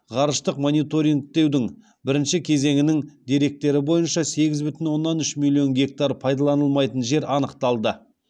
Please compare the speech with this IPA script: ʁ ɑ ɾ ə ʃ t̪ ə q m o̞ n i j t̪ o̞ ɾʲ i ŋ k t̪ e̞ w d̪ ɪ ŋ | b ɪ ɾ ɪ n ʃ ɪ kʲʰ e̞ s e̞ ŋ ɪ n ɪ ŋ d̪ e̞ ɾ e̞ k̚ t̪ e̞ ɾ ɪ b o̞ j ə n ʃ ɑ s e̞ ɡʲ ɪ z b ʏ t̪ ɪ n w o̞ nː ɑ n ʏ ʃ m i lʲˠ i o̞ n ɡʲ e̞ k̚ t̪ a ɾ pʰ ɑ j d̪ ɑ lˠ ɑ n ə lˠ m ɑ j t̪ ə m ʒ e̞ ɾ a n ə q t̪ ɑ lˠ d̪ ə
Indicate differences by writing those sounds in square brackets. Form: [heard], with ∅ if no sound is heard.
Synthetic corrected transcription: ʁ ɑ ɾ ə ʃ t̪ ə q m o̞ n i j t̪ o̞ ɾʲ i ŋ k t̪ e̞ w d̪ ɪ ŋ | b ɪ ɾ ɪ n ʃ ɪ kʲʰ e̞ [z] e̞ ŋ ɪ n ɪ ŋ d̪ e̞ ɾ e̞ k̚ t̪ e̞ ɾ ɪ b o̞ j ə n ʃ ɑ s e̞ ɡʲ ɪ z b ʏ t̪ ɪ n w o̞ nː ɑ n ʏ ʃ m i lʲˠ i o̞ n ɡʲ e̞ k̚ t̪ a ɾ pʰ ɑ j d̪ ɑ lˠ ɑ n ə lˠ m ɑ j t̪ ə [n] ʒ e̞ ɾ [ɑ] n ə q t̪ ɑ lˠ d̪ ə